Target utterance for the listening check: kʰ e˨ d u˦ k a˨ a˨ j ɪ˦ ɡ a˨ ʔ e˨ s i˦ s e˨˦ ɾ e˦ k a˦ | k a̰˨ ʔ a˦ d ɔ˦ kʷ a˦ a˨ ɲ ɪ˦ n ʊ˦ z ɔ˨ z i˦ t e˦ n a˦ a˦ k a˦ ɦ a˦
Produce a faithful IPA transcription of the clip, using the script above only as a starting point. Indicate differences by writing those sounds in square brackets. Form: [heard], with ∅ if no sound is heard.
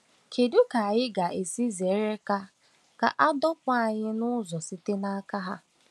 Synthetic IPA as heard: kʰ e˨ d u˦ k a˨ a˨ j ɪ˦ ɡ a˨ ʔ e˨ s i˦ [z] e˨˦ ɾ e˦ k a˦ | k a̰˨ ʔ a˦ d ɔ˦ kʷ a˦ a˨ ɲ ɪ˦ n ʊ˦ z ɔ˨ [s] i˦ t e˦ n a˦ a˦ k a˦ ɦ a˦